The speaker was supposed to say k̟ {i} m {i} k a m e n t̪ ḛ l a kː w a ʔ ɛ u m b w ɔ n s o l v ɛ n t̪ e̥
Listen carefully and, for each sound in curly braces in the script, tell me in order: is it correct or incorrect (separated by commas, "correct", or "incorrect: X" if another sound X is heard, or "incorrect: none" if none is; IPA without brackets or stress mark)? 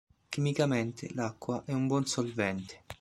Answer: correct, correct